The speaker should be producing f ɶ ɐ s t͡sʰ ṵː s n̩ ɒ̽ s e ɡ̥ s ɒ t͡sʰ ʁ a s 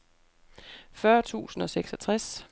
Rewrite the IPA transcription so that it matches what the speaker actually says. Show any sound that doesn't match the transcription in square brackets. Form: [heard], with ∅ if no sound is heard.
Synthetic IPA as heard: f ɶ ɐ [∅] t͡sʰ ṵː s n̩ ɒ̽ s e ɡ̥ s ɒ t͡sʰ ʁ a s